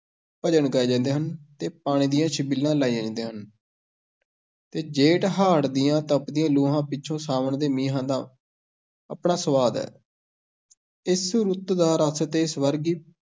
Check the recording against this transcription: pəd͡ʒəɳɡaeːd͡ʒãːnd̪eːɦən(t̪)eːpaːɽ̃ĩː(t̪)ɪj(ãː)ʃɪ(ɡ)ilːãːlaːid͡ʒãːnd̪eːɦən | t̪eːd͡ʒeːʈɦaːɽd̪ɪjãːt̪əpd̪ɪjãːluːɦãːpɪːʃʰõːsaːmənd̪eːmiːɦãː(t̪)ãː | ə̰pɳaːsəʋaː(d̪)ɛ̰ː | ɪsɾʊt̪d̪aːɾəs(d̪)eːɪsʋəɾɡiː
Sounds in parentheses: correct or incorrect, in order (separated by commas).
correct, incorrect, correct, incorrect, incorrect, correct, incorrect